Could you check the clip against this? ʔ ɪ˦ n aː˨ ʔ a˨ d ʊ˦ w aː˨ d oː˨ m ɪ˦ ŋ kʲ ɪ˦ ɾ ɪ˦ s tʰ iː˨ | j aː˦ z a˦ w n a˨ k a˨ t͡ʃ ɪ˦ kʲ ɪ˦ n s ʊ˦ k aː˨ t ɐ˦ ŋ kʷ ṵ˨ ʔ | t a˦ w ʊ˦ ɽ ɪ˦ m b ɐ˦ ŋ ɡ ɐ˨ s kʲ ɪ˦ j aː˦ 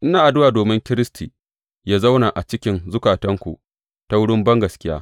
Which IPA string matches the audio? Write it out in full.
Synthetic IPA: ʔ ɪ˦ n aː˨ ʔ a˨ d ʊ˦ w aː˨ d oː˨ m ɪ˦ ŋ kʲ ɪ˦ ɾ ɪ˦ s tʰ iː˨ | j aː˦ z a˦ w n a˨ ʔ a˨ t͡ʃ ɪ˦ kʲ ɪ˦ n z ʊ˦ k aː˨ t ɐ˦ ŋ kʷ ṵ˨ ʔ | t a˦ w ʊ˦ ɽ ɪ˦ m b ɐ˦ ŋ ɡ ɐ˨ s kʲ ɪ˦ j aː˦